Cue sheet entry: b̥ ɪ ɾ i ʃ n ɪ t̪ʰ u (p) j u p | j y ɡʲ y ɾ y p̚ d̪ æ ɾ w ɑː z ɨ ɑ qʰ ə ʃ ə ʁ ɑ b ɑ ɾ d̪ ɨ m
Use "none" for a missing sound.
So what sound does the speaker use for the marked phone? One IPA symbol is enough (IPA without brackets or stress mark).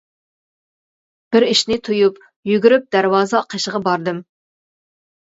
none